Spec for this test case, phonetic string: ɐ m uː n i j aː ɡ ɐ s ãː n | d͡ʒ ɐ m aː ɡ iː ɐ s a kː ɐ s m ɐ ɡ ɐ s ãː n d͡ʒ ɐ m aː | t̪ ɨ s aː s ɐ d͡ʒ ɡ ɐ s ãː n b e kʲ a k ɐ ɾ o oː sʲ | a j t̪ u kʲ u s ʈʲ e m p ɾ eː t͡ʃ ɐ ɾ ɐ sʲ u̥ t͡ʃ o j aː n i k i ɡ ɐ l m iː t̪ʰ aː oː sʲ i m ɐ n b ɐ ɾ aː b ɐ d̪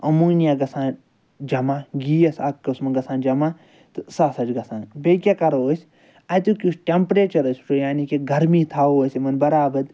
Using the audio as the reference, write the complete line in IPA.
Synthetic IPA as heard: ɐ m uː n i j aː ɡ ɐ s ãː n | d͡ʒ ɐ m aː ɡ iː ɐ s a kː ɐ s m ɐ ɡ ɐ s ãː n d͡ʒ ɐ m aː | t̪ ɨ s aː s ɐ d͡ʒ ɡ ɐ s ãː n b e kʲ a k ɐ ɾ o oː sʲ | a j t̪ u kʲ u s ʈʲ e m p ɾ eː t͡ʃ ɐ ɾ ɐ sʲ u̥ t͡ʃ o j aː n i k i ɡ ɐ ɾ m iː t̪ʰ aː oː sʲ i m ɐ n b ɐ ɾ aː b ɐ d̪